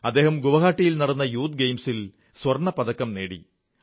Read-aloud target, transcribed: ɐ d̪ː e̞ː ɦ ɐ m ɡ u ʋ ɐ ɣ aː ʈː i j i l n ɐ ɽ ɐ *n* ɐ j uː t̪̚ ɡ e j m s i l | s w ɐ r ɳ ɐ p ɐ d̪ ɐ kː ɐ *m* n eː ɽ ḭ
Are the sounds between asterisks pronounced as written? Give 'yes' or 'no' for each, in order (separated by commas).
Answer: no, yes